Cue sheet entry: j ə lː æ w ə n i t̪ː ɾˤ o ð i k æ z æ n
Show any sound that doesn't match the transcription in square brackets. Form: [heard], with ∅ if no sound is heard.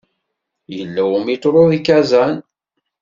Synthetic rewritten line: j ə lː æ w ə [m] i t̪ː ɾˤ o ð i k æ z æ n